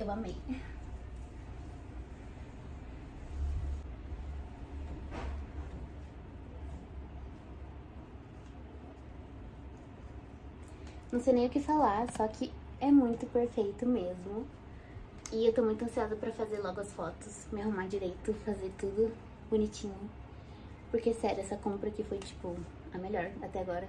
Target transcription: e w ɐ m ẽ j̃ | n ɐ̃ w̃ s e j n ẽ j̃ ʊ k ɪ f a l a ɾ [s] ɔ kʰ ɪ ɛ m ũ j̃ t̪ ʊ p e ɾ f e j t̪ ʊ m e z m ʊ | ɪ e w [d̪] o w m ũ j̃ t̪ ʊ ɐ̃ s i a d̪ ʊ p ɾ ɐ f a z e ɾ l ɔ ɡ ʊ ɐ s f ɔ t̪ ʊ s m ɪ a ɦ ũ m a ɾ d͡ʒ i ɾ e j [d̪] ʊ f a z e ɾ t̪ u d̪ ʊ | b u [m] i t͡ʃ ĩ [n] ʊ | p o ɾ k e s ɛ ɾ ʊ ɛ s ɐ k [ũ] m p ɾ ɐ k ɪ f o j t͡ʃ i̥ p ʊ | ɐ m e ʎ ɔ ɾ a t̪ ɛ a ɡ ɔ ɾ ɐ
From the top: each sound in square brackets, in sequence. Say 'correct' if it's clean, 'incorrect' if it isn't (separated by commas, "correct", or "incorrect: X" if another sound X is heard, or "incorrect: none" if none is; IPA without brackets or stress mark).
correct, incorrect: t̪, incorrect: t̪, incorrect: n, incorrect: ɲ, incorrect: õ